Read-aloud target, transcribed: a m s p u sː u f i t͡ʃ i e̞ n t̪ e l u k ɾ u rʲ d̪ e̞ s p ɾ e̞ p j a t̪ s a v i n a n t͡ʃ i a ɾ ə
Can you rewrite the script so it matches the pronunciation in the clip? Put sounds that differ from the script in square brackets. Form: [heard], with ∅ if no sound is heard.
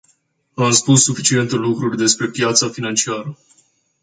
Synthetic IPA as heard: a m s p u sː u f i t͡ʃ i e̞ n t̪ e l u k ɾ u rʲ d̪ e̞ s p ɾ e̞ p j a t̪ s a [f] i n a n t͡ʃ i a ɾ ə